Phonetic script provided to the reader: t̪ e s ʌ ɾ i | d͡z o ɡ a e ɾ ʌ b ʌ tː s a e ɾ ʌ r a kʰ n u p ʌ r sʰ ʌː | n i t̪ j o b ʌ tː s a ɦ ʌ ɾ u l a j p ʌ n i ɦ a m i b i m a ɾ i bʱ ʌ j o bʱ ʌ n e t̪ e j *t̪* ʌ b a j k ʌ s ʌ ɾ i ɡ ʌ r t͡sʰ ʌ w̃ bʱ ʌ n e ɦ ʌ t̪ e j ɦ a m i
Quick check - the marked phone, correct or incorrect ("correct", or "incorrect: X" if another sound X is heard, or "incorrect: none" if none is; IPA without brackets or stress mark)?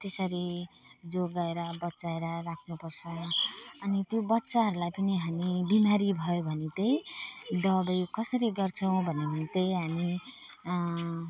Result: incorrect: d̪